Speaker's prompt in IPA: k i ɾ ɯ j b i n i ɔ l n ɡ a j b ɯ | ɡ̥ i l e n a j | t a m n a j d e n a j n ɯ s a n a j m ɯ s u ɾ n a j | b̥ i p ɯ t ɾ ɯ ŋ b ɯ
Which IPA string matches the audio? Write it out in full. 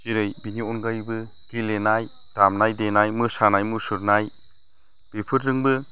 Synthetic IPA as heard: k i ɾ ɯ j b i n i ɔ n ɡ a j b ɯ | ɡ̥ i l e n a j | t a m n a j d e n a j m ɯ s a n a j m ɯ s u ɾ n a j | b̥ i pʰ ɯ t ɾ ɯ ŋ b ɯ

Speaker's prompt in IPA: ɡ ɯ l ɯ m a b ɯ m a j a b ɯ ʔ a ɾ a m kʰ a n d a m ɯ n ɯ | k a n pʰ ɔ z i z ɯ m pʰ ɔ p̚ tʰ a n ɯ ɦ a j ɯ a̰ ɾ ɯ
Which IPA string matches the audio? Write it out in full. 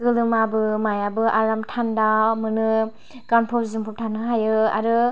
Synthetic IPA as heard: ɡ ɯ l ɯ m a b ɯ m a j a b ɯ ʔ a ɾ a m tʰ a n d a m ɯ n ɯ | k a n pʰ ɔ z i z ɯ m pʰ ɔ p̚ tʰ a n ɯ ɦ a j ɯ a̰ ɾ ɯ

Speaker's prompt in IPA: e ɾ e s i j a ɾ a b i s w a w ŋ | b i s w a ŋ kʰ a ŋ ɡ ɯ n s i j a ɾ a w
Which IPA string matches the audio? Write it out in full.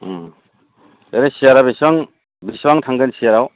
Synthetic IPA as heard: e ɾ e s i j a ɾ a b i s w a ŋ | b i s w a ŋ tʰ a ŋ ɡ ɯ n s i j a ɾ a w

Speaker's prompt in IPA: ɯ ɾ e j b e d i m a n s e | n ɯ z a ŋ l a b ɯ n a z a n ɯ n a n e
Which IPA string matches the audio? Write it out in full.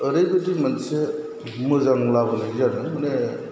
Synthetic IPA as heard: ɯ ɾ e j b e d i m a n s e | m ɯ z a ŋ l a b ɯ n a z a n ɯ m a n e

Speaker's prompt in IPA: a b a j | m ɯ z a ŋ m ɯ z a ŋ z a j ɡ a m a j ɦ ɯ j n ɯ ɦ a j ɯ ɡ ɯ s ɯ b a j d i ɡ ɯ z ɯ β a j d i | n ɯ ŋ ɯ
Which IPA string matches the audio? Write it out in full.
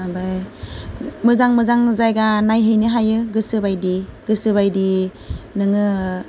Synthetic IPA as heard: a b a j | m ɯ z a ŋ m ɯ z a ŋ z a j ɡ a n a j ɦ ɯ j n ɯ ɦ a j ɯ ɡ ɯ s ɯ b a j d i ɡ ɯ s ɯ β a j d i | n ɯ ŋ ɯ

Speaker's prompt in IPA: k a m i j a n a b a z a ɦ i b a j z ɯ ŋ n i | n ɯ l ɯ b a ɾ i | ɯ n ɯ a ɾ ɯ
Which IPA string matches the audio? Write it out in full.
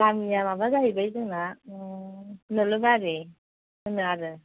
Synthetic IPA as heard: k a m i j a m a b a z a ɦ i b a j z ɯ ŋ n a | n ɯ l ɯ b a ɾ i | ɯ n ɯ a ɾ ɯ

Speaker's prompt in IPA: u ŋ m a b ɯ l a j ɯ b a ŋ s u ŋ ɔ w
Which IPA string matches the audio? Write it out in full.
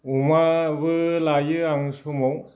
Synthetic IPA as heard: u m a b ɯ l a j ɯ a ŋ s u m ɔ w

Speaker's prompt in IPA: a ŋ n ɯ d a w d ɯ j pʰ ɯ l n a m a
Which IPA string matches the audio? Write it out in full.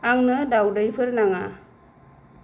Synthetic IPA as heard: a ŋ n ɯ d a w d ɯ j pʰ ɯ ɾ n a ŋ a

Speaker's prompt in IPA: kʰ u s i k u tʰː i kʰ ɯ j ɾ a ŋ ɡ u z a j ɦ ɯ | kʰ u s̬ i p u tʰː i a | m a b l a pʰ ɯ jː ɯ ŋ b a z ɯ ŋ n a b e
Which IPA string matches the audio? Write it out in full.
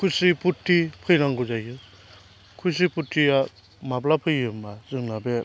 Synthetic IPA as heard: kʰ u s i p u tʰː i pʰ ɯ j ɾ a ŋ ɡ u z a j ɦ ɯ | kʰ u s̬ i p u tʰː i a | m a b l a pʰ ɯ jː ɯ m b a z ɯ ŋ n a b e

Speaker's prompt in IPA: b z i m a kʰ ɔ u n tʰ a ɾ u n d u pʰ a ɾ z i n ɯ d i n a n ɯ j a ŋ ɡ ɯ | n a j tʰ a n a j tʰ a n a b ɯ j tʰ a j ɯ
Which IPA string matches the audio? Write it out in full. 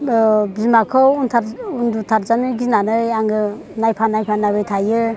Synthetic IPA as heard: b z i m a kʰ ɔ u n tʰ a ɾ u n d u tʰ a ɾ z a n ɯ ɡ i n a n ɯ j a ŋ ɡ ɯ | n a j pʰ a n a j pʰ a n a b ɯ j tʰ a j ɯ

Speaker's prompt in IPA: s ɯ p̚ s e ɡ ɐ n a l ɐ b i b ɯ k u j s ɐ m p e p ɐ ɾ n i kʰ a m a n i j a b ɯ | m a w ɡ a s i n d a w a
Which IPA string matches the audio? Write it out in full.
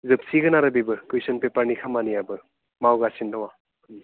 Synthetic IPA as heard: z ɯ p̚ s i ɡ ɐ n a ɾ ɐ b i b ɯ k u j s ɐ n p e p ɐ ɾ n i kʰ a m a n i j a b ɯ | m a w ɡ a s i n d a w a

